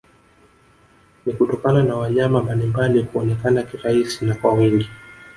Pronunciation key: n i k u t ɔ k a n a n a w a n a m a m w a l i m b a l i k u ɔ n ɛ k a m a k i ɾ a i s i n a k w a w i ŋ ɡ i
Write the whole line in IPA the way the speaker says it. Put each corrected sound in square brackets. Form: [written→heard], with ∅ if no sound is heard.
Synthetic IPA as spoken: n i k u t ɔ k a n a n a w a [n→ɲ] a m a m [w→b] a l i m b a l i k u ɔ n ɛ k a [m→n] a k i ɾ a i s i n a k w a w i ŋ ɡ i